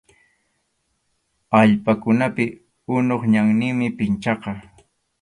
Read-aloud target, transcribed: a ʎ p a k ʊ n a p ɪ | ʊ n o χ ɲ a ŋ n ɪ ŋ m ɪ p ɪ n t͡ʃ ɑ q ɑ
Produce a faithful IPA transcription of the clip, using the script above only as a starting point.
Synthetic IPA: a ʎ p a k ʊ n a p ɪ | ʊ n o χ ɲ a ŋ n ɪ ŋ m ɪ p ɪ n t͡ʃ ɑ q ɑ